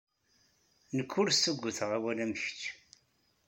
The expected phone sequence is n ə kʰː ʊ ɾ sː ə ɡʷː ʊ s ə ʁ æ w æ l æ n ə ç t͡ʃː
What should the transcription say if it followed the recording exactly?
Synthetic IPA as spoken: n ə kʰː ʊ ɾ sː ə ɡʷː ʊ θ ə ʁ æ w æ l æ m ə ç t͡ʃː